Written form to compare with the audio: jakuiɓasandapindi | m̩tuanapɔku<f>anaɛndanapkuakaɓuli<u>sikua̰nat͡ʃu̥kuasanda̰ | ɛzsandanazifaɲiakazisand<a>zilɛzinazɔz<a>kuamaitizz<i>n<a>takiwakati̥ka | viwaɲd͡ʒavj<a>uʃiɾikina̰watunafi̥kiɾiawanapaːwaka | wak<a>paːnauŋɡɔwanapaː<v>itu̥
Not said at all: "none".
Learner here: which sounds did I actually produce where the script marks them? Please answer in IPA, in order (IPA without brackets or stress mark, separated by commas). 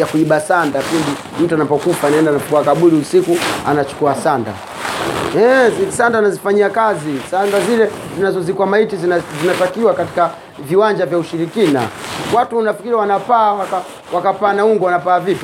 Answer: f, u, a, i, i, a, a, a, v